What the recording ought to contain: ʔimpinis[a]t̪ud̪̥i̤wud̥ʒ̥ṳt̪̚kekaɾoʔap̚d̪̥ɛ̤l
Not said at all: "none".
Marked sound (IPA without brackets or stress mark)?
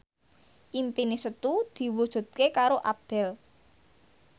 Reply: ə